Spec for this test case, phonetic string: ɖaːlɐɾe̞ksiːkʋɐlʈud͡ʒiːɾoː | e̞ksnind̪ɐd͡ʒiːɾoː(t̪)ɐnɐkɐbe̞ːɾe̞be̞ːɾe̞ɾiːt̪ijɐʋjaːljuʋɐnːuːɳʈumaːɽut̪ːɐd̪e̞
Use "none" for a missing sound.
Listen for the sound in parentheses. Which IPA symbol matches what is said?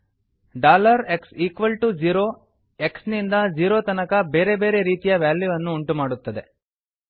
t̪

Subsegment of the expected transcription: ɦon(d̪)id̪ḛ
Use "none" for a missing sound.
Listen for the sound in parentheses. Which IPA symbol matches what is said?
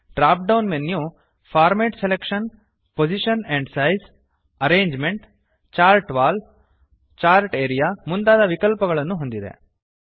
d̪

